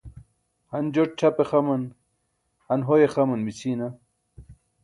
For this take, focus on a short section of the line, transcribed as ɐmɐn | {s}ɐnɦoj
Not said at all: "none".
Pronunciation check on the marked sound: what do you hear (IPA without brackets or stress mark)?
h